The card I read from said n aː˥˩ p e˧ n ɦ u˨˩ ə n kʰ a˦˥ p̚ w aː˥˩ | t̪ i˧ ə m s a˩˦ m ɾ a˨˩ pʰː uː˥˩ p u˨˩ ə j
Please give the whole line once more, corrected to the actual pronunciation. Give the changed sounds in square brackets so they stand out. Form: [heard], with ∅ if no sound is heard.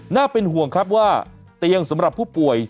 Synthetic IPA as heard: n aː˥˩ p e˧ n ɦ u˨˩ ə [ŋ] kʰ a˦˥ p̚ w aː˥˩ | t̪ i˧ ə [ŋ] s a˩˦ m ɾ a˨˩ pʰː uː˥˩ p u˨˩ ə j